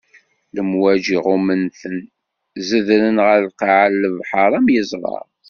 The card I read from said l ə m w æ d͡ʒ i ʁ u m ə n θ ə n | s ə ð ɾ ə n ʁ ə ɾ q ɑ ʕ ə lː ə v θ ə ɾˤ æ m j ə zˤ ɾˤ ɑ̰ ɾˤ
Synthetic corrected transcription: l ə m w æ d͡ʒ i ʁ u m ə n θ ə n | z ə ð ɾ ə n ʁ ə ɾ q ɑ ʕ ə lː ə v ħ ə ɾˤ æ m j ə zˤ ɾˤ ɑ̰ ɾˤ